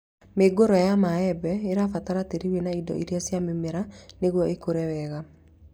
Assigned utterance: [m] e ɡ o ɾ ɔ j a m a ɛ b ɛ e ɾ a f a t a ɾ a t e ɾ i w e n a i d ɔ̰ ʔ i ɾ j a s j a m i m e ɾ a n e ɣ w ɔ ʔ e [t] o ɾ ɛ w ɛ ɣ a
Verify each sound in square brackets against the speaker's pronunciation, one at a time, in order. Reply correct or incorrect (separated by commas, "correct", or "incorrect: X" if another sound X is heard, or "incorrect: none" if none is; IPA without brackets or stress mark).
correct, incorrect: k